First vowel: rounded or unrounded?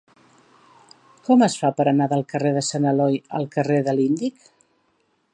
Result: rounded